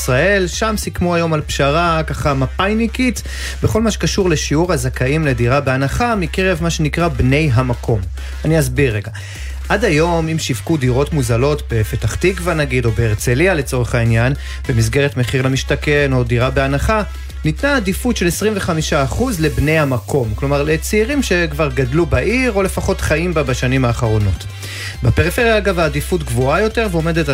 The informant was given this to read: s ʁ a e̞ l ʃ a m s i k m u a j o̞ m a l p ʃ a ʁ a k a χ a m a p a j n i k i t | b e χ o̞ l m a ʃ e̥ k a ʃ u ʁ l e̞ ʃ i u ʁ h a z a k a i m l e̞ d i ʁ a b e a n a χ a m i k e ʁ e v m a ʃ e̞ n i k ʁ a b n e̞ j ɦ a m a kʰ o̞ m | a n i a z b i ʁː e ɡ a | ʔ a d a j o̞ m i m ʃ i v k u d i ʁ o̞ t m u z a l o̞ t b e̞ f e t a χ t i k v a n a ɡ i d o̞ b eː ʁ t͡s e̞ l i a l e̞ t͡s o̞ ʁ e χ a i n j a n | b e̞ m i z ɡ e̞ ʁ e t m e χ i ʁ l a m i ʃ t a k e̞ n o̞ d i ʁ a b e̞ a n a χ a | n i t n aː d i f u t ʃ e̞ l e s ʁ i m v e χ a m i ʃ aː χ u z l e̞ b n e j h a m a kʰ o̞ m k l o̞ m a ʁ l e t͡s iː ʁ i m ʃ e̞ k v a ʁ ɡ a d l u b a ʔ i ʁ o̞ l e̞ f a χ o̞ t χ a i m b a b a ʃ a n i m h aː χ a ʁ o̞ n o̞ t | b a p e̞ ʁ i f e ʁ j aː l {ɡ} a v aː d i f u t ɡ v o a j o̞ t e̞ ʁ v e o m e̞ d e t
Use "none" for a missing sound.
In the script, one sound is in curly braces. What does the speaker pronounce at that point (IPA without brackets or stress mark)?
ɡ